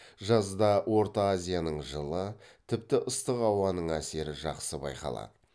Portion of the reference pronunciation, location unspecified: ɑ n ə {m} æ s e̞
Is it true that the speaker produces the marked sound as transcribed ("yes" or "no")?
no